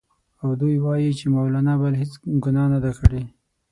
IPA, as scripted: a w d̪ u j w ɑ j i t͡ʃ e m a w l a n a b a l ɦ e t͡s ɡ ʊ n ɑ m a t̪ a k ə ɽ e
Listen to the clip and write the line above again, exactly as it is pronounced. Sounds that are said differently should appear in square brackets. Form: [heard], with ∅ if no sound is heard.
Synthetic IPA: a w d̪ u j w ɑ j i t͡ʃ e m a w l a n a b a l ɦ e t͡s ɡ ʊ n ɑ [n] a [d̪] a k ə ɽ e